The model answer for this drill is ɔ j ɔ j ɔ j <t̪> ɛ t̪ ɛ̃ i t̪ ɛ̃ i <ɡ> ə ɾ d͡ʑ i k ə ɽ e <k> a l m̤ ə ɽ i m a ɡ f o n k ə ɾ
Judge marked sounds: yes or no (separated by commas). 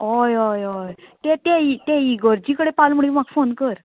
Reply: yes, yes, no